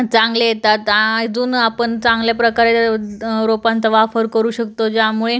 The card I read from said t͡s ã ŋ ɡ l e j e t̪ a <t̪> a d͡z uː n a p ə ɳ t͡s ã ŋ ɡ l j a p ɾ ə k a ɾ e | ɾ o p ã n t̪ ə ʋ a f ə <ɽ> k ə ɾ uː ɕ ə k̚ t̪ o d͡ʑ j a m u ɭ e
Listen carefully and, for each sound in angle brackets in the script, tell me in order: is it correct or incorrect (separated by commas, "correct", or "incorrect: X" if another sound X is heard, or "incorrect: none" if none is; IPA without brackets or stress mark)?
correct, incorrect: ɾ